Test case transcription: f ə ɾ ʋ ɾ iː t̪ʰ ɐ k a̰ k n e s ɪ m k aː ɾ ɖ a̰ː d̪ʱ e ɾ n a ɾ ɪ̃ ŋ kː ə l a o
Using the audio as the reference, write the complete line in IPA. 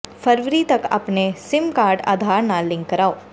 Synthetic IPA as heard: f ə ɾ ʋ ɾ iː t̪ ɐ k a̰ p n e s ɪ m k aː ɾ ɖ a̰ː d̪ʱ a ɾ n a l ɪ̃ ŋ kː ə ɾ a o